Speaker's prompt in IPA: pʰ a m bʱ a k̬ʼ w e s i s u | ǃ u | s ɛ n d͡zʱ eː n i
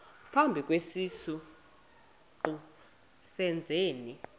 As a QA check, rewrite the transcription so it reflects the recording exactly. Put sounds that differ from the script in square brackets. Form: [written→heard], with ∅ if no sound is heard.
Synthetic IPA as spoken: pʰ a m bʱ [a→i] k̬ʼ w e s i s u | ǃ u | s ɛ n d͡zʱ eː n i